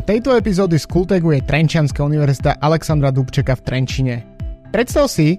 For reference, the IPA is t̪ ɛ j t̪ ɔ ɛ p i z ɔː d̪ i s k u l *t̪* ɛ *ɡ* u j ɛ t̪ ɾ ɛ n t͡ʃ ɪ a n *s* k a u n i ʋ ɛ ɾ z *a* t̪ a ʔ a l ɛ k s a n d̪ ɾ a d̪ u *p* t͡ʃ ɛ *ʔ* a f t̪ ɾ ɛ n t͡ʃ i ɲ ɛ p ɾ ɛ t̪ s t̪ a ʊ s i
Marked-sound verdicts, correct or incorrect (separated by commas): correct, correct, correct, incorrect, correct, incorrect